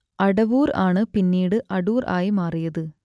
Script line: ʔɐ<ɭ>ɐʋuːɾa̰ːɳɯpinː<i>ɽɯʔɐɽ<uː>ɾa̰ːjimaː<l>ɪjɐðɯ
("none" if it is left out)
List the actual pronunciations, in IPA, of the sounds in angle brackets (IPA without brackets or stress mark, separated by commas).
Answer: ɽ, iː, uː, r